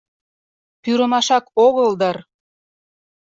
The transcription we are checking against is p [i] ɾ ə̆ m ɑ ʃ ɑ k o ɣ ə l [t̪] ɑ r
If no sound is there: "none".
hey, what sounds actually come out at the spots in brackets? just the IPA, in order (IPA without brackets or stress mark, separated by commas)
y, d̪